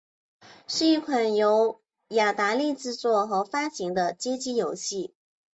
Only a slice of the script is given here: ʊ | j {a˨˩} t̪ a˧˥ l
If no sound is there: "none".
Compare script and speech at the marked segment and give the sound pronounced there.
a˨˩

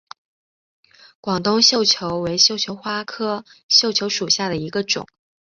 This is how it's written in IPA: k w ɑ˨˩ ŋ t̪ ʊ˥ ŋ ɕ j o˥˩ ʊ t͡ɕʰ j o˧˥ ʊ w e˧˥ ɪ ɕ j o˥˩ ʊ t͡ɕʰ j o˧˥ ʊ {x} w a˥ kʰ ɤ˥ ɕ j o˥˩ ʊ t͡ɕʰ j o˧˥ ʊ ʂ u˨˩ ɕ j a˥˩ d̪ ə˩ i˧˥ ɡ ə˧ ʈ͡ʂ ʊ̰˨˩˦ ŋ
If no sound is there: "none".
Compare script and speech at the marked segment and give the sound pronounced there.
x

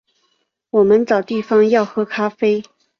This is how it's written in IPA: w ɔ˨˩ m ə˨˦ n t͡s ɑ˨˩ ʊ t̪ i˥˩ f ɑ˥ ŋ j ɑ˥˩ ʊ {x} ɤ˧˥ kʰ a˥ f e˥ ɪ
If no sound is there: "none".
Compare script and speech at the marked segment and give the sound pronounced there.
x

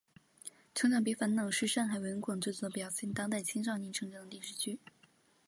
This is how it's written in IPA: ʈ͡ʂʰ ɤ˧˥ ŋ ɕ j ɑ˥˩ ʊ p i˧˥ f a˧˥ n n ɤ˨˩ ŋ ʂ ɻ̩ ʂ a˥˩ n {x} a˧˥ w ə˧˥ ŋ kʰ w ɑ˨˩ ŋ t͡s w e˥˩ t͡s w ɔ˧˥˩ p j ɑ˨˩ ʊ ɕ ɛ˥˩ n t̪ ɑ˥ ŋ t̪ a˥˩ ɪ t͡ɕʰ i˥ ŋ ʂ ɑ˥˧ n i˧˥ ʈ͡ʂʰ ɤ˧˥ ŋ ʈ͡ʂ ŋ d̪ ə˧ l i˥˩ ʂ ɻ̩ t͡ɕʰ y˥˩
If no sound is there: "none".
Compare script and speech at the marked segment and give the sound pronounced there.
x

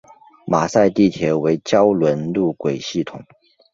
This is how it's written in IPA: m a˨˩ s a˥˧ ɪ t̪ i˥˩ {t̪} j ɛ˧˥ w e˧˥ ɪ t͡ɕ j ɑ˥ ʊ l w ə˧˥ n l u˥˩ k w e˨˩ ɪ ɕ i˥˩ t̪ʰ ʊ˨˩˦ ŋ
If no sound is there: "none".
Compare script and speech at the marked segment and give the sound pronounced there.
t̪ʰ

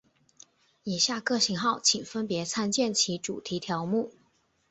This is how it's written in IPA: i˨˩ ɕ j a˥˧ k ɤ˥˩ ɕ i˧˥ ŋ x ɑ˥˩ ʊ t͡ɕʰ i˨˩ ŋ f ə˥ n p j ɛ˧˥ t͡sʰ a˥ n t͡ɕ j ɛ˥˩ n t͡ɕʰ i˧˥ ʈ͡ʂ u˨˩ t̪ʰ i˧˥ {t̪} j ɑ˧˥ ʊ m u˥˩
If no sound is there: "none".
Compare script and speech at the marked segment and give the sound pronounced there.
t̪ʰ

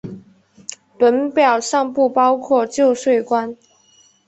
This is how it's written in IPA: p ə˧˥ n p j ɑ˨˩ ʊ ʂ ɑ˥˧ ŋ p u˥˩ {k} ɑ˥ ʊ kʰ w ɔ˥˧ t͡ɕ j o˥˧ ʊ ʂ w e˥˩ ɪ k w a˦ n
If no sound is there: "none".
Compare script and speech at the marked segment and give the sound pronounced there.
p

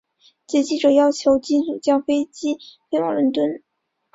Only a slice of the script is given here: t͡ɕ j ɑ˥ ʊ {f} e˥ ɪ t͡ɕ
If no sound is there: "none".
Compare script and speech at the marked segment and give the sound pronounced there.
f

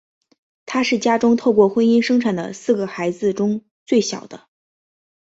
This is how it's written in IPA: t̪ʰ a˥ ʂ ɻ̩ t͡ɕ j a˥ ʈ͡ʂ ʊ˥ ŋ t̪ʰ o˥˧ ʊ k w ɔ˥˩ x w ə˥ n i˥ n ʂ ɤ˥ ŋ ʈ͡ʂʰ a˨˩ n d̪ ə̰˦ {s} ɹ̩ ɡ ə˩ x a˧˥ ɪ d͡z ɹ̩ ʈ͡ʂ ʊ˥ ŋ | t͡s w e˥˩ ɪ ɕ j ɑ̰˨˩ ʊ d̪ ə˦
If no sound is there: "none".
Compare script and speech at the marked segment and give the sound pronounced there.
s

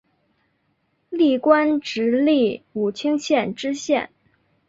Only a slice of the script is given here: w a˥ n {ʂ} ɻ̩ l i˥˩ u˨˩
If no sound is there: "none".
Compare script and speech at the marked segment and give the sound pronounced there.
ʈ͡ʂ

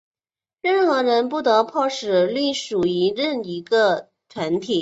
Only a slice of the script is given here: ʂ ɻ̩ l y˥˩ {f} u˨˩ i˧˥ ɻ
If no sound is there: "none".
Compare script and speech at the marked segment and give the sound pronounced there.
ʂ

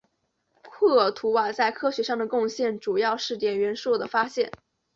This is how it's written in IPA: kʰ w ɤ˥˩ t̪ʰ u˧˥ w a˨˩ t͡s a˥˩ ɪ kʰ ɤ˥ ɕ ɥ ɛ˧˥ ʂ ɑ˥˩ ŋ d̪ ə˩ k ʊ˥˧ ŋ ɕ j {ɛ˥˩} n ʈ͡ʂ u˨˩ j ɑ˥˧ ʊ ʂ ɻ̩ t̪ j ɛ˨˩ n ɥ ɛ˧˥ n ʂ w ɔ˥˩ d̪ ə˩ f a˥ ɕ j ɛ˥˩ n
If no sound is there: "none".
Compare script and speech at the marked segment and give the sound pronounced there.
ɛ˥˩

